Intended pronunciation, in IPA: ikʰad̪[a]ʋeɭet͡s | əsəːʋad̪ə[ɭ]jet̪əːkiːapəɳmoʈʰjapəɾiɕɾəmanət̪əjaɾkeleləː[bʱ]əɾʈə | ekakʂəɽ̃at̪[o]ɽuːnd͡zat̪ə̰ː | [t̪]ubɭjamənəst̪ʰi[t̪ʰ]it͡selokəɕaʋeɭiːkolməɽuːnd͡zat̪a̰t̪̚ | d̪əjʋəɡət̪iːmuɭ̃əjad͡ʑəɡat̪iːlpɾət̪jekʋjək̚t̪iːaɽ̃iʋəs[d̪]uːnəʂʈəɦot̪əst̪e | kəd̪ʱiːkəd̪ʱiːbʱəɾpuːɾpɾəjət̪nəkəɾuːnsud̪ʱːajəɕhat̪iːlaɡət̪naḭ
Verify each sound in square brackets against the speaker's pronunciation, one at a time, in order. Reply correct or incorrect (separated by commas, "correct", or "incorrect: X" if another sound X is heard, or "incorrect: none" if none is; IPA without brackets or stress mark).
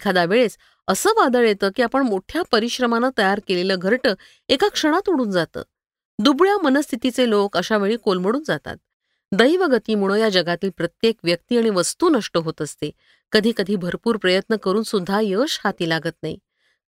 correct, correct, incorrect: ɡʱ, incorrect: u, incorrect: d̪, incorrect: t̪, incorrect: t̪